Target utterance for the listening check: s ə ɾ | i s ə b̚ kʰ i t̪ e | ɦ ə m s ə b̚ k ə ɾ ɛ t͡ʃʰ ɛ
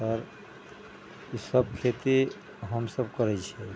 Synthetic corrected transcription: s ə ɾ | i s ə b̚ kʰ e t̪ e | ɦ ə m s ə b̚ k ə ɾ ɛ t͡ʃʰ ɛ